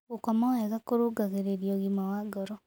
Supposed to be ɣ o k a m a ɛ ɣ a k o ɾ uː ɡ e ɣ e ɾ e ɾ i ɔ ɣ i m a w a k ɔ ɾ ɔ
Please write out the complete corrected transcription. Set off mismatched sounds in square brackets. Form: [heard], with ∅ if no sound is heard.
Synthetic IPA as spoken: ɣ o k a m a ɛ ɣ a k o ɾ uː ɡ [a] ɣ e ɾ e ɾ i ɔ ɣ i m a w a [ɡ] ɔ ɾ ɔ